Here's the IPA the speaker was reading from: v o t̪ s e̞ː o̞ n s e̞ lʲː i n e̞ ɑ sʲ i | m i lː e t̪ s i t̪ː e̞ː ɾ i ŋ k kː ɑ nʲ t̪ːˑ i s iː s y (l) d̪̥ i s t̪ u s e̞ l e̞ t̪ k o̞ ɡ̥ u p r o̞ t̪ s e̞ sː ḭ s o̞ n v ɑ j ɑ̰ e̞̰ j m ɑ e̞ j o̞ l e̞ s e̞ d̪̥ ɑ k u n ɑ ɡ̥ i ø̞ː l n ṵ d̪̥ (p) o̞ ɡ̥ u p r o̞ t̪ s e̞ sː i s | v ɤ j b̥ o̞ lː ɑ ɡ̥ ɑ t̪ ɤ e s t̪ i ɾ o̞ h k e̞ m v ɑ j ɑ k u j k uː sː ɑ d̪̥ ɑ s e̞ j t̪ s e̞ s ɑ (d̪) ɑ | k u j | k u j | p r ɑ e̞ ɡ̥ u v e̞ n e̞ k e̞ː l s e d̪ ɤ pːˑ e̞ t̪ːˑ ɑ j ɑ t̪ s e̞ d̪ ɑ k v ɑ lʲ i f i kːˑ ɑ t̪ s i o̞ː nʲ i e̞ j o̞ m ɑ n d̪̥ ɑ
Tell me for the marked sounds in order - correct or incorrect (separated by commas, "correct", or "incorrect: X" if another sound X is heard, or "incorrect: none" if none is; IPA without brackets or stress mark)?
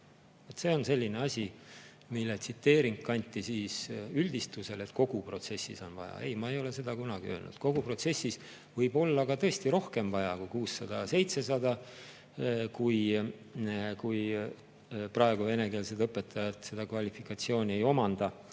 correct, incorrect: k, correct